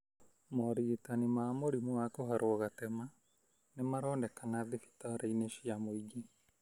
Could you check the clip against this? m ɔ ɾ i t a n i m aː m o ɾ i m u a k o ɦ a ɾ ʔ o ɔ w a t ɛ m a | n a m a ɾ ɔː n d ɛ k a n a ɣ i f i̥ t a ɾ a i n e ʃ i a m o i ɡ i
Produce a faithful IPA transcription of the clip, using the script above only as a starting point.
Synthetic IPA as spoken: m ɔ ɾ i t a n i m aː m o ɾ i m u a k o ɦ a ɾ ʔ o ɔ ɣ a t ɛ m a | n e m a ɾ ɔː n d ɛ k a n a ð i f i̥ t a ɾ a i n e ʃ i a m o i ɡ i

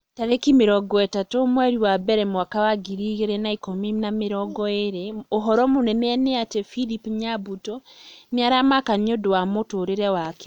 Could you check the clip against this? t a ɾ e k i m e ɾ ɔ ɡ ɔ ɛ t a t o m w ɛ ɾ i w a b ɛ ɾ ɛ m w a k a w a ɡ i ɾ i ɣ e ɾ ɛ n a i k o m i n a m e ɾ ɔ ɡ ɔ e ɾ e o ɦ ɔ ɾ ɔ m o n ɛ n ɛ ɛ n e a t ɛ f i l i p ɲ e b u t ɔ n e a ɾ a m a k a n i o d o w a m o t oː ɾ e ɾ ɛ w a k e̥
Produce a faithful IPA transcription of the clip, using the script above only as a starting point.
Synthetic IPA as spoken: t a ɾ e k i m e ɾ ɔ ɡ ɔ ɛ t a t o m w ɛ ɾ i w a b ɛ ɾ ɛ m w a k a w a ɡ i ɾ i ɣ e ɾ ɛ n a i k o m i n a m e ɾ ɔ ɡ ɔ e ɾ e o ɦ ɔ ɾ ɔ m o n ɛ n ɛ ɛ n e a t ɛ f i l i p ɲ a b u t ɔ n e a ɾ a m a k a n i o d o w a m o t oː ɾ e ɾ ɛ w a k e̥

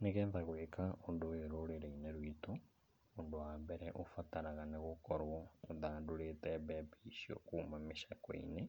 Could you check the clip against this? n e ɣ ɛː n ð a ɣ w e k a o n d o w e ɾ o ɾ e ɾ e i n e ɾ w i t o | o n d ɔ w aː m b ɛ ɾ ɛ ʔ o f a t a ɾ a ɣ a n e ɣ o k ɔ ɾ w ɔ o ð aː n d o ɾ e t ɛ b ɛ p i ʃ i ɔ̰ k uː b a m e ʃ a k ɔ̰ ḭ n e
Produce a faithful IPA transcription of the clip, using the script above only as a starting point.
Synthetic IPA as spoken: n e ɣ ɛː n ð a ɣ w e k a o n d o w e ɾ o ɾ e ɾ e i n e ɾ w i t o | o n d o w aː m b ɛ ɾ ɛ ʔ o f a t a ɾ a ɣ a n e ɣ o k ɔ ɾ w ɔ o ð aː n d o ɾ e t ɛ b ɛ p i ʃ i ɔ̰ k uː m a m e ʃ a k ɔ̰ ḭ n e

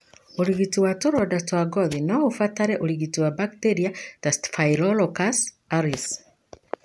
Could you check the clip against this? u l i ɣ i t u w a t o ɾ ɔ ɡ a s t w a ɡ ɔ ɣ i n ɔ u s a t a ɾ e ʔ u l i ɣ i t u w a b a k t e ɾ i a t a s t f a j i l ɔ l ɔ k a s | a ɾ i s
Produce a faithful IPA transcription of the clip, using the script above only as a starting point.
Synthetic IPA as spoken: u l i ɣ i t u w a t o ɾ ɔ d a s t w a ɡ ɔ ð i n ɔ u f a t a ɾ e ʔ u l i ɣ i t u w a b a k t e ɾ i a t a s t f a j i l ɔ l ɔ k a s | a ɾ i s

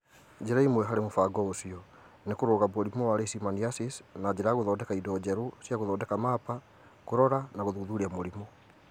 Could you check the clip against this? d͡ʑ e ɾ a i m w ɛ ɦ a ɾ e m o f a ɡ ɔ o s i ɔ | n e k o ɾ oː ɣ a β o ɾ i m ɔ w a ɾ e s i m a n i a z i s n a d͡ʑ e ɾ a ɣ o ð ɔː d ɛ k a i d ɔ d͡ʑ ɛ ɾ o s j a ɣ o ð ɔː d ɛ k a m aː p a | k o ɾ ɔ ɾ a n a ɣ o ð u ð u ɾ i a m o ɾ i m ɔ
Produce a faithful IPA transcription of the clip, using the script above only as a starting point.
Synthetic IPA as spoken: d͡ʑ e ɾ a i m w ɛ ɦ a ɾ e m o f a ɡ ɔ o s i ɔ | n e k o ɾ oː ɣ a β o ɾ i m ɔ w a ɾ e s i m a n i a s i s n a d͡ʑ e ɾ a ɣ o ð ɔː d ɛ k a i d ɔ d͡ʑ ɛ ɾ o s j a ɣ o ð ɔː d ɛ k a m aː p a | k o ɾ ɔ ɾ a n a ɣ o ð u ð u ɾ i a m o ɾ i m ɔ

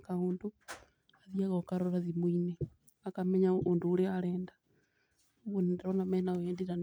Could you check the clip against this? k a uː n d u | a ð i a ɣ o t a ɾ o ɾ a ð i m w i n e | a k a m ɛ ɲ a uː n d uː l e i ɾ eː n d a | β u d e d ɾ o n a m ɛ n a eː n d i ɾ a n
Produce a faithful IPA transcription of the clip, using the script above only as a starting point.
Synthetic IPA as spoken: k a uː n d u | a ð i a ɣ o k a ɾ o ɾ a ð i m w i n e | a k a m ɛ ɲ a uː n d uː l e a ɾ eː n d a | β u n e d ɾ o n a m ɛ n a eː n d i ɾ a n

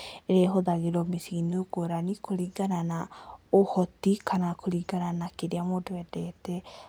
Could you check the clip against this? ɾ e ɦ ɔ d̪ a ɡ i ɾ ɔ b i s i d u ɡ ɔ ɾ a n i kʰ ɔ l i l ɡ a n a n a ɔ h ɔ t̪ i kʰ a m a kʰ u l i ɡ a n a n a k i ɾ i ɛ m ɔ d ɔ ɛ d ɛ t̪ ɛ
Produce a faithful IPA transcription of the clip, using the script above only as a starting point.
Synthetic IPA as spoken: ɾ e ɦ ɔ d̪ a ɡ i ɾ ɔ m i s i n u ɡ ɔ ɾ a n i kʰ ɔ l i ɡ a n a n a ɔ h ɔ t̪ i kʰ a n a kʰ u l i ɡ a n a n a k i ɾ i a m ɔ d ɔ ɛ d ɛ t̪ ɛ

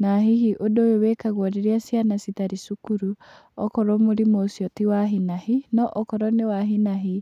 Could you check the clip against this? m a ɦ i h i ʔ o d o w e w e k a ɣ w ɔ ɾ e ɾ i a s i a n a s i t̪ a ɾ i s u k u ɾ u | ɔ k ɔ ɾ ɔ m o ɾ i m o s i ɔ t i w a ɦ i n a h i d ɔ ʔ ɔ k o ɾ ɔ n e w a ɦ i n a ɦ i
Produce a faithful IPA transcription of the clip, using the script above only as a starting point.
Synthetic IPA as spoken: n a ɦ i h i ʔ o d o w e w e k a ɣ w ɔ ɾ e ɾ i a s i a n a s i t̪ a ɾ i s u k u ɾ u | ɔ k ɔ ɾ ɔ m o ɾ i m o s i ɔ t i w a ɦ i n a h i n ɔ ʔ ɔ k ɔ ɾ ɔ n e w a ɦ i n a ɦ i

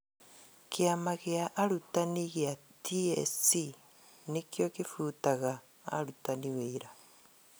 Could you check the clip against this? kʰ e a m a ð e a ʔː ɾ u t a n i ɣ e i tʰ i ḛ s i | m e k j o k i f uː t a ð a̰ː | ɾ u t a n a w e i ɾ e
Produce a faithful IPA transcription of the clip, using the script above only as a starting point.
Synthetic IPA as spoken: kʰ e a m a ɣ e a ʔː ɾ u t a n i ɣ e a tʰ i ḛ s i | n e k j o k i f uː t a ɣ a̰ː | ɾ u t a n i w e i ɾ a

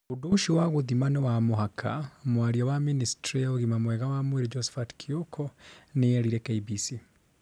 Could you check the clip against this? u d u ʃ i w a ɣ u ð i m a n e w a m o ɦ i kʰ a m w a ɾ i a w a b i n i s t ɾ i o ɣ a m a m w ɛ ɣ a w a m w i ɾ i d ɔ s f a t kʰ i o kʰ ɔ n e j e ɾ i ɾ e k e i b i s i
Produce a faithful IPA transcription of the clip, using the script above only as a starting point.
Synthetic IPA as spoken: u d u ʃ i w a ɣ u ð i m a n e w a m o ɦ a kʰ a m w a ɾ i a w a m i n i s t ɾ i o ɣ i m a m w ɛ ɣ a w a m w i ɾ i d͡ʒ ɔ s f a t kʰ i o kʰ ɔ n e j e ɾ i ɾ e k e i b i s i

